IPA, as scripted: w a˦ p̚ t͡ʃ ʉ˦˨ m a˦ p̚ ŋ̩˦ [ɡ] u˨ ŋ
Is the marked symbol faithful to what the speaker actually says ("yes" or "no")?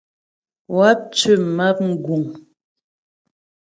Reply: yes